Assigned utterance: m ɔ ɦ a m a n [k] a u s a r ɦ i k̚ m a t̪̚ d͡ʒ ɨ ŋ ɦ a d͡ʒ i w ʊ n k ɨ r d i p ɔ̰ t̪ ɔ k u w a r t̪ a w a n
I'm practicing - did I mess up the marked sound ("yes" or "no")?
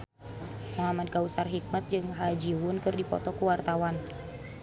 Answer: no